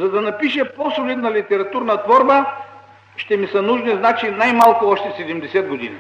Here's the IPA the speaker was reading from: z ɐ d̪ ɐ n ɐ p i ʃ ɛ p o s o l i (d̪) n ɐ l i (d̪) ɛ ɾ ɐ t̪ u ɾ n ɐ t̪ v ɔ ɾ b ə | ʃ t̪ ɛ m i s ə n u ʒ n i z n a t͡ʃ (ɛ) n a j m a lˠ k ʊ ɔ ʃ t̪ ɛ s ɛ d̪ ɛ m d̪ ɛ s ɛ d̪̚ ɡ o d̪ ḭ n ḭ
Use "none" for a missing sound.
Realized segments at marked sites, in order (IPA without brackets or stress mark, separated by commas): d̪, t̪, i